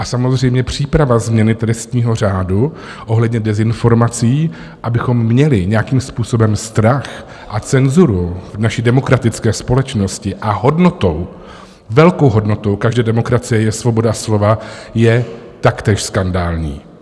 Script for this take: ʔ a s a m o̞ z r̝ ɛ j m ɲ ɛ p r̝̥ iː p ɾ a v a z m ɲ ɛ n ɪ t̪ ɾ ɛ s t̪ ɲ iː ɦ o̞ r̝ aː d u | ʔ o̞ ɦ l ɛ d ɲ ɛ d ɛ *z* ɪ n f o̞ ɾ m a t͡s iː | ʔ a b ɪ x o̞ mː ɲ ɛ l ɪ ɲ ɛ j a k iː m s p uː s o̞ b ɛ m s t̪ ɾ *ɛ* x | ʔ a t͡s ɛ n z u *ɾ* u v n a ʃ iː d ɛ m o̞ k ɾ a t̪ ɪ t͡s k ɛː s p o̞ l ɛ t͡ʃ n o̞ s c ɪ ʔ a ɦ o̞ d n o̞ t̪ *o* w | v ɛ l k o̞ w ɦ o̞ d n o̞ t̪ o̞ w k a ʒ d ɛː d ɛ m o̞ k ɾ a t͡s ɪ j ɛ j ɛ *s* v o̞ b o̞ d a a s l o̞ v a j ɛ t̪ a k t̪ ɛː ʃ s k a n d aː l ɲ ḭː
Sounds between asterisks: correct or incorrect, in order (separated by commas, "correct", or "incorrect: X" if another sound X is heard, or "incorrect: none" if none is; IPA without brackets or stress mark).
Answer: correct, incorrect: a, correct, correct, correct